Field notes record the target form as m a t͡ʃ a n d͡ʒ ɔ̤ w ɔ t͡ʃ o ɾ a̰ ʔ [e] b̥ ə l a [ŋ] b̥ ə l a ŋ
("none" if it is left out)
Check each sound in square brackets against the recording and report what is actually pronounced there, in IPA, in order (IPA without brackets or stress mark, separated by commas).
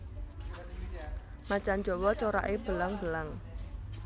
e, ŋ